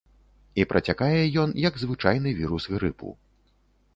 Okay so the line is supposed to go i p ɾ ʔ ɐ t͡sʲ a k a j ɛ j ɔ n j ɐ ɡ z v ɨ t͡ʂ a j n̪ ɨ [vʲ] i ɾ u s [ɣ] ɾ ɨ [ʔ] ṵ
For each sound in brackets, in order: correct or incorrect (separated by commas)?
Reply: correct, correct, incorrect